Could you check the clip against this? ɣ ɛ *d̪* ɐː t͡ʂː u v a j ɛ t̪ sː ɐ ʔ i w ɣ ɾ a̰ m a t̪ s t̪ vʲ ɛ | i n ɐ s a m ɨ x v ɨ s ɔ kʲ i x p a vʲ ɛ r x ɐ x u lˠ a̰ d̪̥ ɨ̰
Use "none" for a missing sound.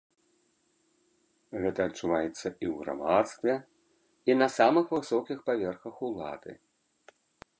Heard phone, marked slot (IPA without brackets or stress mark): t̪